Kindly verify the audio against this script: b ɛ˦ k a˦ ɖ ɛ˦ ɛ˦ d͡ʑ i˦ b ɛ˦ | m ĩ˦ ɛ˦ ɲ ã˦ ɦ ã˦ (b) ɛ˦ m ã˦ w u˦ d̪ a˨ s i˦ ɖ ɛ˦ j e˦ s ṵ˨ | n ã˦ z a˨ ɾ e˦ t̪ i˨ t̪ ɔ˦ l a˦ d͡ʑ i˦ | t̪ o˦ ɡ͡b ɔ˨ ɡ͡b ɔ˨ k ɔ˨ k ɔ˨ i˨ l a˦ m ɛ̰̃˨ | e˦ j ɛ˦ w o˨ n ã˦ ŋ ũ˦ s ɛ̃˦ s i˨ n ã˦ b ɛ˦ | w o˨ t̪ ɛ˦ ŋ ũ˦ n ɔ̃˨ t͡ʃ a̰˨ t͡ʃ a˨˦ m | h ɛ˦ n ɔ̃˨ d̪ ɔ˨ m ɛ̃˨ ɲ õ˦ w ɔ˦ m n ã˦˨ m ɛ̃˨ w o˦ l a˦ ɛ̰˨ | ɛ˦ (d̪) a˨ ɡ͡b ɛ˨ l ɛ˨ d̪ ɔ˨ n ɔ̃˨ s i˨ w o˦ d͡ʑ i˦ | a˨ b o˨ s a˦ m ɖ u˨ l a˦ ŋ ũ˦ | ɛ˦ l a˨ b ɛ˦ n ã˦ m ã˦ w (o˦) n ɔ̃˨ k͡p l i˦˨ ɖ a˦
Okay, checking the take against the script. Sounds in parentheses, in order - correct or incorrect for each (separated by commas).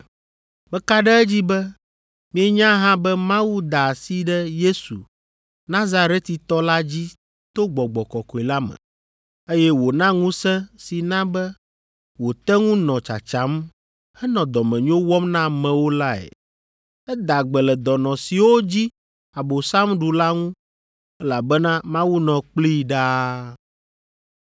correct, correct, incorrect